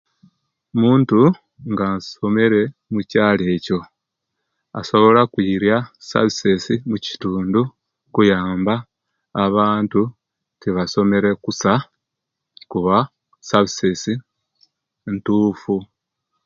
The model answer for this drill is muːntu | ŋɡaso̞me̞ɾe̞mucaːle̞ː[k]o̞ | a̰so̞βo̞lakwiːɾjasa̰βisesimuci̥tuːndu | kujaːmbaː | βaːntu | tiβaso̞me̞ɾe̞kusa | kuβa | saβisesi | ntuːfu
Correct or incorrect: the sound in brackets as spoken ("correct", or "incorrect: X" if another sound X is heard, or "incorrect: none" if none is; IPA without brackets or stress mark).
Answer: incorrect: c